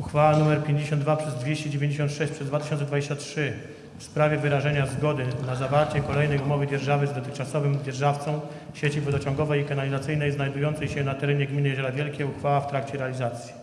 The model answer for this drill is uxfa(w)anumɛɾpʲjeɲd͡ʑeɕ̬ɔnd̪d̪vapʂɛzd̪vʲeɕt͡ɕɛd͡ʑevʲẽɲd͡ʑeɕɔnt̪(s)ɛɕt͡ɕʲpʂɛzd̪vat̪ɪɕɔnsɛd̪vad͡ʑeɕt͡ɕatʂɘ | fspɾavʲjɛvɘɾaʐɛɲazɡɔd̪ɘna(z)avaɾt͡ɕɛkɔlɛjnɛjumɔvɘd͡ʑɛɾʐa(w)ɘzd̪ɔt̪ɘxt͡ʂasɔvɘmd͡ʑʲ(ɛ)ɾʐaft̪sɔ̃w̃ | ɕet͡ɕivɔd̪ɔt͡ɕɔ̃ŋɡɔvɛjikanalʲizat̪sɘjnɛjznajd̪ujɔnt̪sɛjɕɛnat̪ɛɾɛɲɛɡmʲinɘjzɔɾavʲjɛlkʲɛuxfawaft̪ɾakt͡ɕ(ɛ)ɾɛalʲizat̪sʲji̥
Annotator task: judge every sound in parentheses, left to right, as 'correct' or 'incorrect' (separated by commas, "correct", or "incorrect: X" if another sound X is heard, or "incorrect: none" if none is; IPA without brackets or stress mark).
correct, incorrect: ʂ, correct, incorrect: v, correct, correct